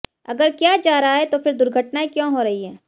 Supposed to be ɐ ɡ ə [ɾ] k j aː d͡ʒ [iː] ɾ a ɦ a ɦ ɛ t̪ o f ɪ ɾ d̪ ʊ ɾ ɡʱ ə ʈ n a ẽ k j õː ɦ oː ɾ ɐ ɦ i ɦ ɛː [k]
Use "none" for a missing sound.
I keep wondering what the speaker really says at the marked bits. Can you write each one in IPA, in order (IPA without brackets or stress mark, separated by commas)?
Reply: ɾ, aː, none